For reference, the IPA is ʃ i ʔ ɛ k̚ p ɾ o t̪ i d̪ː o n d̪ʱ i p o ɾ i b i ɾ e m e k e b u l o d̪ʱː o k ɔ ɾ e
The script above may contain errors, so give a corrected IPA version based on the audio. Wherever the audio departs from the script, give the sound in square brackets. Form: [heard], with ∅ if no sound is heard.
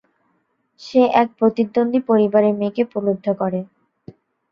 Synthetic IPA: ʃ [e] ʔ ɛ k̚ p ɾ o t̪ i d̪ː o n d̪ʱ i p o ɾ i b [a] ɾ e m e k e [p] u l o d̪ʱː o k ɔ ɾ e